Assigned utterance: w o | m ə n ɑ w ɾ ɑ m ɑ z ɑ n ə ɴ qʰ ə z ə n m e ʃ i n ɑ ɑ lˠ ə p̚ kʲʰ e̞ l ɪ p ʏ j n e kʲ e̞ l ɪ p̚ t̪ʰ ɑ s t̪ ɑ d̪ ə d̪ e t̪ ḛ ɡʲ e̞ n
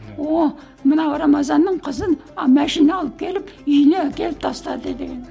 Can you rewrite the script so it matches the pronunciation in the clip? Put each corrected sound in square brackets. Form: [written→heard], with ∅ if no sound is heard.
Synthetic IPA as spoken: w o | m ə n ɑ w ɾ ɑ m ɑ z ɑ [n→nː] ə ɴ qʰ ə z ə n m [e→æ] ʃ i n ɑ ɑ lˠ ə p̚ kʲʰ e̞ l ɪ p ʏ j n e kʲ e̞ l ɪ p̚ t̪ʰ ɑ s t̪ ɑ d̪ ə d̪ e [t̪→d̪] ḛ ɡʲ e̞ n